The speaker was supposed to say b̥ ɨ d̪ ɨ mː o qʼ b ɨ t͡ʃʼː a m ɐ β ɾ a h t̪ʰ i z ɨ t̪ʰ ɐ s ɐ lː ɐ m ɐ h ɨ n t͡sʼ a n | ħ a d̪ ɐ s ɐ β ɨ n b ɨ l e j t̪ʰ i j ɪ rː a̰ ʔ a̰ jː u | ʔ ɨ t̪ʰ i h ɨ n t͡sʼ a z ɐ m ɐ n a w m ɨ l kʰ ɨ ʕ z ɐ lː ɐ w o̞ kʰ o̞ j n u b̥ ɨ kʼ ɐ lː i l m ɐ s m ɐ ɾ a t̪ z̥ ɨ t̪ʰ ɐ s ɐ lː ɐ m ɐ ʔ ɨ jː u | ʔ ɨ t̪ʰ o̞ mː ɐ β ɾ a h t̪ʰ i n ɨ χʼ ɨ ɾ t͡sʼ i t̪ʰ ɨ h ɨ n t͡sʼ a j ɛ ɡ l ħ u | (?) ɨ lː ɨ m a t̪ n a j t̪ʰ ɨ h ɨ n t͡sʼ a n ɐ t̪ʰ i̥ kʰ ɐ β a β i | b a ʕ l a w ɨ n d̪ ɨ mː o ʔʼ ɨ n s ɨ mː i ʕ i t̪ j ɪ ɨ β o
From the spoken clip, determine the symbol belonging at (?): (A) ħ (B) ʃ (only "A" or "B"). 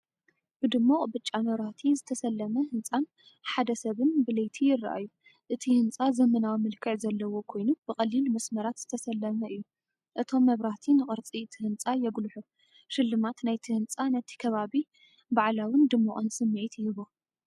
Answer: B